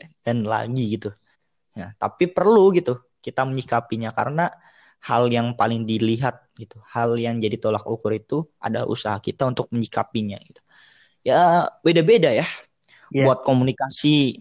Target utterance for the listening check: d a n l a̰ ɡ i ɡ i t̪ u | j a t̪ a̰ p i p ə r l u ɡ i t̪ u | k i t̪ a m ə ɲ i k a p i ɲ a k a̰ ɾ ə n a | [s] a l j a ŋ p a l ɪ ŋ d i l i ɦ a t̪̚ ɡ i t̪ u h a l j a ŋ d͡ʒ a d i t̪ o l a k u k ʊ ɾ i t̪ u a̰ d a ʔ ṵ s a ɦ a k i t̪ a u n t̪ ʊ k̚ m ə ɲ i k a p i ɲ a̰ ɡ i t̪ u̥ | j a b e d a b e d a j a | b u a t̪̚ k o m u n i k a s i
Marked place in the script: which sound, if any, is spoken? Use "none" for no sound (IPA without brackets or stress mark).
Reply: h